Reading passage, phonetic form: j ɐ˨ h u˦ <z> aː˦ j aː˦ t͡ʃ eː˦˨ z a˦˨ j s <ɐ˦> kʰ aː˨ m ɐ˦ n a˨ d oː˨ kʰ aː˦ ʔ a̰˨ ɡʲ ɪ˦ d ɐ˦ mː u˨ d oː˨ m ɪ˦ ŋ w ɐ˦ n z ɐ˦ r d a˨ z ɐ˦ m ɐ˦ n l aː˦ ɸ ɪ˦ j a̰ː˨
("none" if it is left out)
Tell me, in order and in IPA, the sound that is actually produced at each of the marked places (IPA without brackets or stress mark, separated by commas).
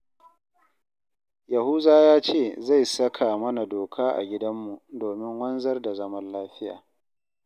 z, ɐ˦